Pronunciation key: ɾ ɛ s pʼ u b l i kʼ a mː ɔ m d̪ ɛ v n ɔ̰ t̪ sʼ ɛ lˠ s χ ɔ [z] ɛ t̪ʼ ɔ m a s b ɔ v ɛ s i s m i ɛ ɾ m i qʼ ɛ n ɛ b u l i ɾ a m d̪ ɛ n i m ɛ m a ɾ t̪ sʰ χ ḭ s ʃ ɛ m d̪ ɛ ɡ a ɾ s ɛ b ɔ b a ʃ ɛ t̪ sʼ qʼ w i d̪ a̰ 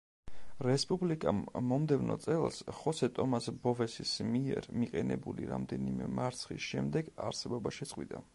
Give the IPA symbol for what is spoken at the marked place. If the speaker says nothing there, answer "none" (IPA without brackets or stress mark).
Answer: s